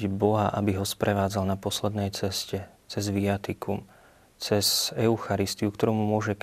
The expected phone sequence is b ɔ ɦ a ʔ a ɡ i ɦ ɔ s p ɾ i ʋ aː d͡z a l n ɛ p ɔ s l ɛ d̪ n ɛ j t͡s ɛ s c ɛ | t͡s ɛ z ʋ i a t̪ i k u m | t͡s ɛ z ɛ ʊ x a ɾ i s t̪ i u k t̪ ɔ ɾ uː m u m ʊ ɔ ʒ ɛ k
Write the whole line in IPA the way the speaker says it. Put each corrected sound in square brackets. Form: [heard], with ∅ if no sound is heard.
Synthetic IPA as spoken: b ɔ ɦ a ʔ a [b] i ɦ ɔ s p ɾ [ɛ] ʋ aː d͡z a l n [a] p ɔ s l ɛ d̪ n ɛ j t͡s ɛ s c ɛ | t͡s ɛ z ʋ i a t̪ i k u m | t͡s ɛ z ɛ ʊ x a ɾ i s t̪ i u k t̪ ɔ ɾ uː m u m ʊ ɔ ʒ ɛ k